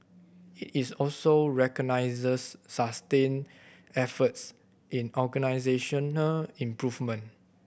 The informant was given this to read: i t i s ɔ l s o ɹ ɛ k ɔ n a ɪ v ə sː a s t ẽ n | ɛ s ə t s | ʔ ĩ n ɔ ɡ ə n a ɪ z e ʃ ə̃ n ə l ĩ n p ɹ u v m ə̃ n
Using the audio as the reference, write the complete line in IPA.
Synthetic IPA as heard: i t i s ɔ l s o ɹ ɛ k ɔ n a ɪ z ə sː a s t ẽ n | ɛ f ə t s | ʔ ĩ n ɔ ɡ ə n a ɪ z e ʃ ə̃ n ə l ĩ m p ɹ u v m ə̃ n